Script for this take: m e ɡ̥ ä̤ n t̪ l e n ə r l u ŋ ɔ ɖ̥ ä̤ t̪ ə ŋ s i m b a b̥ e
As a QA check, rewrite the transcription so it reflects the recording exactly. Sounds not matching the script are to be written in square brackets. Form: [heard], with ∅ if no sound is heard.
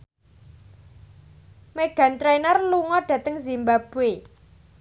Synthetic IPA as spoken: m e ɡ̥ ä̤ n t̪ [ɾ] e n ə r l u ŋ ɔ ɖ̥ ä̤ t̪ ə ŋ [z] i m b a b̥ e